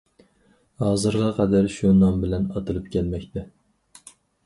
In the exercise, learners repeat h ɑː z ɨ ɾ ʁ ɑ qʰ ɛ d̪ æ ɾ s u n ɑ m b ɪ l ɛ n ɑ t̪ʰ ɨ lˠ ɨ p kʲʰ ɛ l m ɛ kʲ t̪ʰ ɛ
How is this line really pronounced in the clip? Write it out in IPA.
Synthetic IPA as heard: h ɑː z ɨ ɾ ʁ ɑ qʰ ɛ d̪ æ ɾ ʃ u n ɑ m b ɪ l ɛ n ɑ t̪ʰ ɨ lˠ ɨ p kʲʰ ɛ l m ɛ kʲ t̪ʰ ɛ